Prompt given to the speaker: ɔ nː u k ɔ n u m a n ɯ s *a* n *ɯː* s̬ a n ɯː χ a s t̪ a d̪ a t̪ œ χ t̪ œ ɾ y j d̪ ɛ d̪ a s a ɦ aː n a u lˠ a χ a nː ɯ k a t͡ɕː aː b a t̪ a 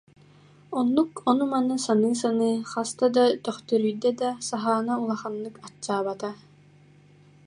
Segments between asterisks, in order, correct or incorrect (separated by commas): correct, correct